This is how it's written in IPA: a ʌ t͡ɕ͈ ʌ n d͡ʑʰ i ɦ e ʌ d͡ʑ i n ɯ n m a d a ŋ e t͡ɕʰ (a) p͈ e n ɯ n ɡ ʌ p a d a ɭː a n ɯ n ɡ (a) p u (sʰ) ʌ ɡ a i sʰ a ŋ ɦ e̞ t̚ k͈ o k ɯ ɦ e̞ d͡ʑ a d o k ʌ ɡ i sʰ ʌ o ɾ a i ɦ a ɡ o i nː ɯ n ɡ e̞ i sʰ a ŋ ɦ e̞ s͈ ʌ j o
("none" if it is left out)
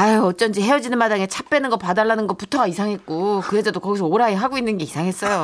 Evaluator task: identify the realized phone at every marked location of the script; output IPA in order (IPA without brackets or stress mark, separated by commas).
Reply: a, ʌ, tʰ